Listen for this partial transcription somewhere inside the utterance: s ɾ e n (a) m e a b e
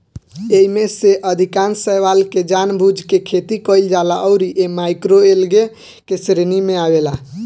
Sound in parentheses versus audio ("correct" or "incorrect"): incorrect